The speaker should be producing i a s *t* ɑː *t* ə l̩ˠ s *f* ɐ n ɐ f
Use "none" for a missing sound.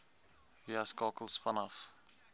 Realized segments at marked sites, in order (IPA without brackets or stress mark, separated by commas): k, k, f